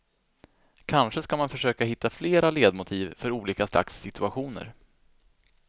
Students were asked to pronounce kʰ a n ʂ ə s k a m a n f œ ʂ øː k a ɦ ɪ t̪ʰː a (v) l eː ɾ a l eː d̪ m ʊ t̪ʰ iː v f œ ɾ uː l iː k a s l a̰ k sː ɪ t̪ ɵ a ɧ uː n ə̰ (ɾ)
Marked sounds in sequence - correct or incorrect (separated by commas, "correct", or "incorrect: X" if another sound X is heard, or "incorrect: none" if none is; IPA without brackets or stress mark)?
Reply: incorrect: f, correct